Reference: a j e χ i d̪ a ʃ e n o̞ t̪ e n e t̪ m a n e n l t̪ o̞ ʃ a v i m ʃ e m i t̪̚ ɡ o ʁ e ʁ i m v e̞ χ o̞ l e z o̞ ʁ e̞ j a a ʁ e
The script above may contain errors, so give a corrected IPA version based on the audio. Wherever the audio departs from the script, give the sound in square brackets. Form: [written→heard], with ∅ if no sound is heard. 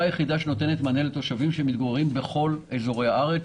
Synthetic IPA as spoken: a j e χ i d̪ a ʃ e n o̞ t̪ e n e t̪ m a n e [n→∅] l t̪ o̞ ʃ a v i m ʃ e m i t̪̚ ɡ o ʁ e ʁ i m [v→b] e̞ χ o̞ l e z o̞ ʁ e̞ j a a ʁ e